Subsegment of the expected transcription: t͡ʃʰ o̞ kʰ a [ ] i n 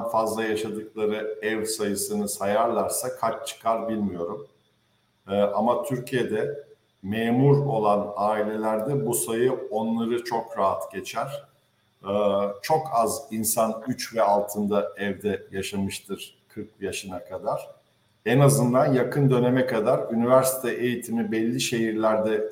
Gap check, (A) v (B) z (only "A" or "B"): B